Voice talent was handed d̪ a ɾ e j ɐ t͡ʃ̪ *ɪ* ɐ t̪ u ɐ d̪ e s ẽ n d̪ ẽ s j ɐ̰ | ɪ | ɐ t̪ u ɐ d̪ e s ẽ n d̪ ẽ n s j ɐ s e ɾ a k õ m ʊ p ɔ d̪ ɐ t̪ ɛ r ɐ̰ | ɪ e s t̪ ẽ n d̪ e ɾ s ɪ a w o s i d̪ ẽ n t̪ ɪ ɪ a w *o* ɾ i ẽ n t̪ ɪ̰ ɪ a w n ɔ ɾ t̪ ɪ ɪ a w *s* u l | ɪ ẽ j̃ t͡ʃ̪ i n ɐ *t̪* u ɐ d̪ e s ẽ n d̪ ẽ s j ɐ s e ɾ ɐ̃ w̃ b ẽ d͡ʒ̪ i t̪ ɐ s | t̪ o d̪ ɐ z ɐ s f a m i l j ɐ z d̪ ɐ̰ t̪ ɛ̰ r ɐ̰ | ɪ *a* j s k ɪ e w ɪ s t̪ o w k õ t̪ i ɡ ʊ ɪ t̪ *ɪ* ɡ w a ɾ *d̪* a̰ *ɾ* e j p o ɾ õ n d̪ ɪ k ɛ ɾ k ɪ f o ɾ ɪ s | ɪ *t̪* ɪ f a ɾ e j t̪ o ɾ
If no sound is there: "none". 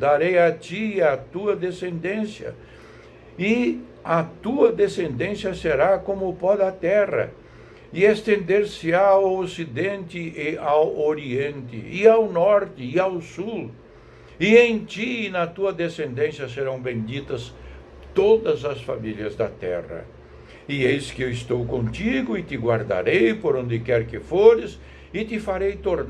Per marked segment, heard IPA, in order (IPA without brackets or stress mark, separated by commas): i, o, s, t̪, e, ɪ, d̪, ɾ, t̪